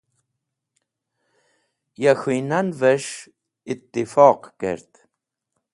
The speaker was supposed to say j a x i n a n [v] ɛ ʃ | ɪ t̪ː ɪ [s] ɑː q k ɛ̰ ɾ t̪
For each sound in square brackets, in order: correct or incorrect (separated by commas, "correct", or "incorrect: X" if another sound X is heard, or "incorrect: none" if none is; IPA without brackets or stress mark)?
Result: correct, incorrect: f